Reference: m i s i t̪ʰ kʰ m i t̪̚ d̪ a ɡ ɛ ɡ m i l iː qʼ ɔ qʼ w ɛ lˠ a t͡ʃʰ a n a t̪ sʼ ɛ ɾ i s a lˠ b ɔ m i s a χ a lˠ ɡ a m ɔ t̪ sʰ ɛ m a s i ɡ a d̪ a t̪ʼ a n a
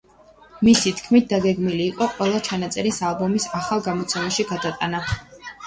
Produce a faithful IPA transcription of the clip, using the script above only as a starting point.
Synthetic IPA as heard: m i s i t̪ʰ kʰ m i t̪̚ d̪ a ɡ ɛ ɡ m i l iː qʼ ɔ qʼ w ɛ lˠ a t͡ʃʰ a n a t̪ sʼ ɛ ɾ i s a lˠ b ɔ m i s a χ a lˠ ɡ a m ɔ t̪ sʰ ɛ m a ʃ i ɡ a d̪ a t̪ʼ a n a